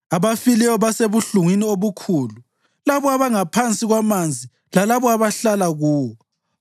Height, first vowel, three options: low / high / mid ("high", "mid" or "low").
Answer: low